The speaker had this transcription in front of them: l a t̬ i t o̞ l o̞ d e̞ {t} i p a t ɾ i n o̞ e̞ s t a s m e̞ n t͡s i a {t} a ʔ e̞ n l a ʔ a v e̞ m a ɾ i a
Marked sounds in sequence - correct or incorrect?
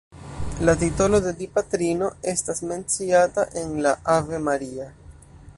incorrect: d, correct

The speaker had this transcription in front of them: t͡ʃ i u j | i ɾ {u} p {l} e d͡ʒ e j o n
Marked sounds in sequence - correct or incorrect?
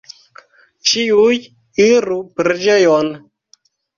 correct, incorrect: ɾ

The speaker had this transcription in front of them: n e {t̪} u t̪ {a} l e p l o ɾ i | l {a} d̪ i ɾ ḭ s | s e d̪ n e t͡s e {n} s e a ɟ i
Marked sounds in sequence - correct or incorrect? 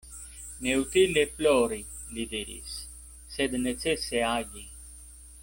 incorrect: none, incorrect: i, incorrect: i, incorrect: none

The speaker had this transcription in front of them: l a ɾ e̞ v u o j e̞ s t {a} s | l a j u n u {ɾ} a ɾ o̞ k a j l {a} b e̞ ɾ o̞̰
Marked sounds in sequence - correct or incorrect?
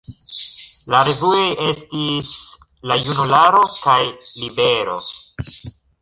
incorrect: i, incorrect: l, incorrect: i

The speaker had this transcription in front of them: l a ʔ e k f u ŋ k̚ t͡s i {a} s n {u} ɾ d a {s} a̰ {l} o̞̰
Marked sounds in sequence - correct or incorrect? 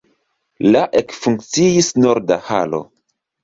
incorrect: i, incorrect: o, incorrect: h, correct

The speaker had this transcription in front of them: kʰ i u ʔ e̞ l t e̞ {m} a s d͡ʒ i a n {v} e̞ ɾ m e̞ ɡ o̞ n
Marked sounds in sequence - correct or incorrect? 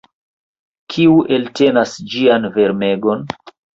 incorrect: n, correct

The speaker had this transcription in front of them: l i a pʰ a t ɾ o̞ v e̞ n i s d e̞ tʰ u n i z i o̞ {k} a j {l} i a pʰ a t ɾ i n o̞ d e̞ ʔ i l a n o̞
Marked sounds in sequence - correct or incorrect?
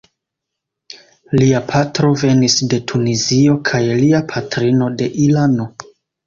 incorrect: kʰ, correct

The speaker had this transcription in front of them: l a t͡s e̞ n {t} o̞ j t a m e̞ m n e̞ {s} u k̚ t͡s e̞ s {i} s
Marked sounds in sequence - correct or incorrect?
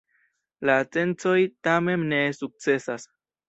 incorrect: t͡s, correct, incorrect: a

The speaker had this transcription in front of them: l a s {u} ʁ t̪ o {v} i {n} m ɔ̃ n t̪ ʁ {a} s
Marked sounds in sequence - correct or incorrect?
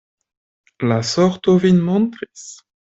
incorrect: ɔ, correct, correct, incorrect: i

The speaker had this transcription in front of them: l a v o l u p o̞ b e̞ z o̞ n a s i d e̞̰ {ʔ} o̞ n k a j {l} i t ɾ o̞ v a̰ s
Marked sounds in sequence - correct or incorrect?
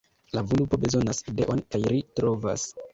correct, incorrect: ɾ

